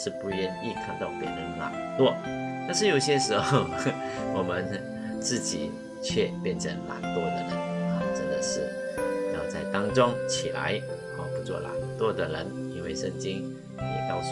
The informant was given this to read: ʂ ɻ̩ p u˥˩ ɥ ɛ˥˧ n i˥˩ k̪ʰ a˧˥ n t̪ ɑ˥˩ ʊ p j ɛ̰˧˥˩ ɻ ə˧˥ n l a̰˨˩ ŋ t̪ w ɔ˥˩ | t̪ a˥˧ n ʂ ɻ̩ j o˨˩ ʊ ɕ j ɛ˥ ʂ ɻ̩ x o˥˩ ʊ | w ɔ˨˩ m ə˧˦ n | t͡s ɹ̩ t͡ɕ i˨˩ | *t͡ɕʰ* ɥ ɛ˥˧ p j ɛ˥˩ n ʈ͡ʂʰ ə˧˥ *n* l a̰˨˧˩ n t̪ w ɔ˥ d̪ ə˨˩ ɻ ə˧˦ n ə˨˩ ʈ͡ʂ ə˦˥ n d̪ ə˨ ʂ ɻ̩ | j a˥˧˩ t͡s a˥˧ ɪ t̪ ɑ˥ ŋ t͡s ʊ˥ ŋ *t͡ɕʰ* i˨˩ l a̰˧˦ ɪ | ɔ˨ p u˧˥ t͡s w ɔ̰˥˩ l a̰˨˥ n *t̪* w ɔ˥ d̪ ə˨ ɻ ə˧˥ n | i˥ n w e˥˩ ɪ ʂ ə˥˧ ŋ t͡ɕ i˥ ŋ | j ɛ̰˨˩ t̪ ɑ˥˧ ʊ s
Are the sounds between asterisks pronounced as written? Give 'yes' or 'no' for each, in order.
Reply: yes, no, yes, yes

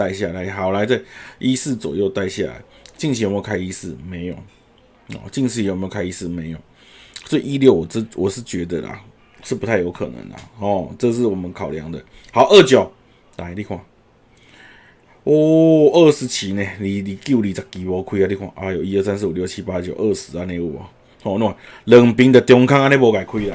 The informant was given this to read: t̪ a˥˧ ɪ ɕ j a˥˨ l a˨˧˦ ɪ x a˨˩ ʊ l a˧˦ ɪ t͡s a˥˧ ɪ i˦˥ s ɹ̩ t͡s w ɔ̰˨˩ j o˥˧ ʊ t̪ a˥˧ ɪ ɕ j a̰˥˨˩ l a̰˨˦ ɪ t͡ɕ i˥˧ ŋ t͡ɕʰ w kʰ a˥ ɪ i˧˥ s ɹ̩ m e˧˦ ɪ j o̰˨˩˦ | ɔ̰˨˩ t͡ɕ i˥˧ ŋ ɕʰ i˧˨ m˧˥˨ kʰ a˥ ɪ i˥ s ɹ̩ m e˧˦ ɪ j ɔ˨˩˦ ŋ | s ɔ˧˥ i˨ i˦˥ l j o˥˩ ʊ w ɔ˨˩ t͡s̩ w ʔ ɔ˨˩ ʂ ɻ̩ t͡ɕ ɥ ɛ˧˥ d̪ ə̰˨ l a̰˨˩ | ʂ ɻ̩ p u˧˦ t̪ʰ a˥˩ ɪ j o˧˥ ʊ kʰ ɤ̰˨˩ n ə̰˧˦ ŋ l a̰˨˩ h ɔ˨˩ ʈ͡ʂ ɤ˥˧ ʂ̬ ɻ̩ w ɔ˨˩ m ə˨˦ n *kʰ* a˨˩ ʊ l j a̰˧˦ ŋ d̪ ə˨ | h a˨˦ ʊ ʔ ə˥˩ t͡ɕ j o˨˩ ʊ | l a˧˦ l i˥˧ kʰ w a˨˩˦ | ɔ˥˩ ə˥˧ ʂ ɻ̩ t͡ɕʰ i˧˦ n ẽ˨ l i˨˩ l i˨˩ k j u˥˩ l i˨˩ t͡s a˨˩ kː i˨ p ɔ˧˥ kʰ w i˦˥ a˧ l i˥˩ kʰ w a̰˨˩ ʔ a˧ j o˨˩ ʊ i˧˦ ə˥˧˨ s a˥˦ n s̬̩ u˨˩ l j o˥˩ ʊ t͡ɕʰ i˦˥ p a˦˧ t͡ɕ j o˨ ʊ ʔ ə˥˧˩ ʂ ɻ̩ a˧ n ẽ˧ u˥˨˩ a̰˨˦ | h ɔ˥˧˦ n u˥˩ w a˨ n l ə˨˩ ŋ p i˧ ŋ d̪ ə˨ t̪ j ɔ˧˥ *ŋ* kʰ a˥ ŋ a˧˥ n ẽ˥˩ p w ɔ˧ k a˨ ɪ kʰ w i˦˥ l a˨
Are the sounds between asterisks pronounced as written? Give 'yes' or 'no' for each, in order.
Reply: yes, yes

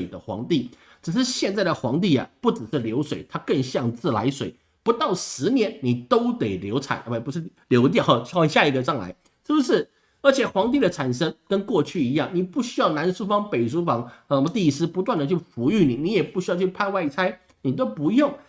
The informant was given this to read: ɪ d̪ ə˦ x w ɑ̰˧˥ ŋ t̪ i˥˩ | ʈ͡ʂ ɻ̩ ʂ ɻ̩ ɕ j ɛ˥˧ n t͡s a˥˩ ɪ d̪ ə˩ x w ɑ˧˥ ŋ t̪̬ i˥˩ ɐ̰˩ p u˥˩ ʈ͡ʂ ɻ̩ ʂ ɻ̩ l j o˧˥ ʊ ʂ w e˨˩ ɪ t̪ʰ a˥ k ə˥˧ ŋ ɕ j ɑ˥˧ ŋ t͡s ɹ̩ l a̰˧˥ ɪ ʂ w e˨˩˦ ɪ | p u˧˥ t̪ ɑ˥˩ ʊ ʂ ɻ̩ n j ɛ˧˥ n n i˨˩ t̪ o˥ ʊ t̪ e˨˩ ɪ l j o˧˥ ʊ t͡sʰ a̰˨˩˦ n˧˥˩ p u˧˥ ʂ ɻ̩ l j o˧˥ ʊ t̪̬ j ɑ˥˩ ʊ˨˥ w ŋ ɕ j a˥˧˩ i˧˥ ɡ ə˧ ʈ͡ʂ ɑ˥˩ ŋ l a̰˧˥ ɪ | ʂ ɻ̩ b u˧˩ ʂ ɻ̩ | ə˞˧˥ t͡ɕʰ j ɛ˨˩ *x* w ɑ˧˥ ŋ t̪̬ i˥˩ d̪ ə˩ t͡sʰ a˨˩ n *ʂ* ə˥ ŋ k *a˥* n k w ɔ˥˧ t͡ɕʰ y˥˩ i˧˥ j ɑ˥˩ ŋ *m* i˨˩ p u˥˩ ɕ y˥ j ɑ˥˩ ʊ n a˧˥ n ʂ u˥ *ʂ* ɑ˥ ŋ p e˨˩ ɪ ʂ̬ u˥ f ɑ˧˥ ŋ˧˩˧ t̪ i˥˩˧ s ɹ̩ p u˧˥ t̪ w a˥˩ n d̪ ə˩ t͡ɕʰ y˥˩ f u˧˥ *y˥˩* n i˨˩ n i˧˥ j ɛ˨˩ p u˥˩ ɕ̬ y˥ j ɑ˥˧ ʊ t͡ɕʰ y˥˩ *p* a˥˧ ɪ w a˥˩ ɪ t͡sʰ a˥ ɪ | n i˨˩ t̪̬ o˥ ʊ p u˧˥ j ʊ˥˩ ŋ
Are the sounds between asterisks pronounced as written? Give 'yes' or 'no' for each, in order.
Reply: yes, yes, no, no, no, yes, no

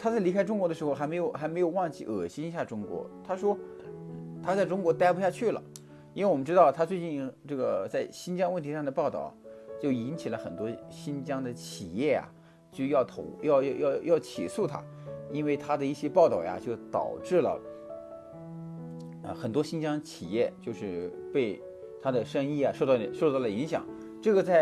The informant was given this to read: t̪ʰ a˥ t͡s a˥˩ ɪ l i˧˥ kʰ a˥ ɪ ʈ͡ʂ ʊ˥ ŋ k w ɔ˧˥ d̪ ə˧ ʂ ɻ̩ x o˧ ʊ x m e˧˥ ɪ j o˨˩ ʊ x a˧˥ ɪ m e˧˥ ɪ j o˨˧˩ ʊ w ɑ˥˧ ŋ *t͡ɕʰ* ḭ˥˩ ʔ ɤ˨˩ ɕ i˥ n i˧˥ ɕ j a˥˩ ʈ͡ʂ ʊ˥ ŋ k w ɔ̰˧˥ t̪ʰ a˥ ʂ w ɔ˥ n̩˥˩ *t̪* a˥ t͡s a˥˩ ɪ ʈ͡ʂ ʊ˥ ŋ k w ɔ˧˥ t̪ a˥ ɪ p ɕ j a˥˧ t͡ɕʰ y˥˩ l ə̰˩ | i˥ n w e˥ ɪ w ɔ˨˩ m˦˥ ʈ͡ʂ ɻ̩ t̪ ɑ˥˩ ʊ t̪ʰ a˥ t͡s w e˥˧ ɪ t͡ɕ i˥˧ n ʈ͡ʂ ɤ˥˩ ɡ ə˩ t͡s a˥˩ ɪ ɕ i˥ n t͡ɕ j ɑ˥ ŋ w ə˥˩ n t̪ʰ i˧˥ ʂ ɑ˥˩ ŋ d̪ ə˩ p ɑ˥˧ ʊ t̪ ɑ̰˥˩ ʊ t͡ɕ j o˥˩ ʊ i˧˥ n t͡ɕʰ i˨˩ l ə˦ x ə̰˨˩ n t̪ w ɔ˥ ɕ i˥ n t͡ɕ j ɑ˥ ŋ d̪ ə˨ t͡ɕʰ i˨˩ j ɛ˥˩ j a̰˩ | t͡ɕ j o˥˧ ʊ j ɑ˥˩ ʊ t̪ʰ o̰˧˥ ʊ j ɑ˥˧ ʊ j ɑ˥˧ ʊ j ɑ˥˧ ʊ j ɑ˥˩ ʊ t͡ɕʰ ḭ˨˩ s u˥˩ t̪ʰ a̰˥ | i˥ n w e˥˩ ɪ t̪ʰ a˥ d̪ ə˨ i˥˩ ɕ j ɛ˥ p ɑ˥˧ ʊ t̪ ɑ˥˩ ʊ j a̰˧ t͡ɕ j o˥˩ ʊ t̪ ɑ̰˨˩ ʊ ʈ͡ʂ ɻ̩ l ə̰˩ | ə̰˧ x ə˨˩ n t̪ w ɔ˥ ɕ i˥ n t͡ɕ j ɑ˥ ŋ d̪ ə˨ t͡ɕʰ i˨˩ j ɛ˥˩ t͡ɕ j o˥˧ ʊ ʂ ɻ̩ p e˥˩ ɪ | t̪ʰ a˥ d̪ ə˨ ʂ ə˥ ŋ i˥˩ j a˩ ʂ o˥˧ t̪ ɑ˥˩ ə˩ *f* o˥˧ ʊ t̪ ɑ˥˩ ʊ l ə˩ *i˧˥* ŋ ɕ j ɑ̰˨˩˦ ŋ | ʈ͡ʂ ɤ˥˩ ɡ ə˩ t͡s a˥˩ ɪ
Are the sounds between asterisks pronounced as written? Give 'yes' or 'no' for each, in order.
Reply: no, no, no, yes

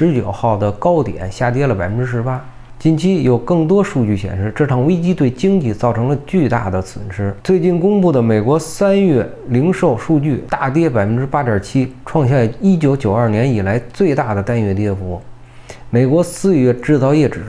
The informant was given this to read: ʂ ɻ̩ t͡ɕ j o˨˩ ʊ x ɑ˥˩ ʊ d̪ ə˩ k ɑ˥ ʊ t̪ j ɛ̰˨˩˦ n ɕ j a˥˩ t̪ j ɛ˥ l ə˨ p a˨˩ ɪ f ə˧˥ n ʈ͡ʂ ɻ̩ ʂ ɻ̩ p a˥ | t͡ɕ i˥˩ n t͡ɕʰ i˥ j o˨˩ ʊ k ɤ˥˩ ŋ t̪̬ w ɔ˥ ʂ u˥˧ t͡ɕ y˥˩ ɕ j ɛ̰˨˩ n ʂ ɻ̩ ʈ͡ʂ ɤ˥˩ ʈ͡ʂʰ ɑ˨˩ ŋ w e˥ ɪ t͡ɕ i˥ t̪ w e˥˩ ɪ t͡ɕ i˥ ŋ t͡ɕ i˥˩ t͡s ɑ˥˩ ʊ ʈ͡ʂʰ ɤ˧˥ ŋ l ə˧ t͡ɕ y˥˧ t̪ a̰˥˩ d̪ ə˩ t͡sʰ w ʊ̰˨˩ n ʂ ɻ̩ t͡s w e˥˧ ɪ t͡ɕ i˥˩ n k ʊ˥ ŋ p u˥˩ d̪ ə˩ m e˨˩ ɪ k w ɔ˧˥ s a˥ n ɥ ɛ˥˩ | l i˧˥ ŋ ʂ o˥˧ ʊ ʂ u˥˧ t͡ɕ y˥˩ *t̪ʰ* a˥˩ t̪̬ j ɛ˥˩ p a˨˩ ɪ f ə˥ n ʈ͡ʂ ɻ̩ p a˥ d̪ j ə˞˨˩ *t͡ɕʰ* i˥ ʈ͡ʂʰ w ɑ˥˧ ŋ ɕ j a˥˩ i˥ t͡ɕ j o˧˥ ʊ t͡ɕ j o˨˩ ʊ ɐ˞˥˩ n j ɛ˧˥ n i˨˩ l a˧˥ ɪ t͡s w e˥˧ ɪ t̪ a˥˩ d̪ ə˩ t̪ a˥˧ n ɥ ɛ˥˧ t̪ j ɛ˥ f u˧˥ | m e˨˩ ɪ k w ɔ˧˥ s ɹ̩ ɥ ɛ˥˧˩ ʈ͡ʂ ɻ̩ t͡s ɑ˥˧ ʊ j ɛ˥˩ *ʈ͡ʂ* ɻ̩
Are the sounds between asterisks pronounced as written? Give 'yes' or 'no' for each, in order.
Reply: no, yes, yes

